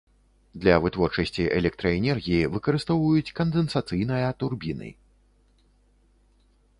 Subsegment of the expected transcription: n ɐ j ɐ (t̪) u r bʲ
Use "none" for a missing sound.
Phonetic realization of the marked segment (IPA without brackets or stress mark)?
t̪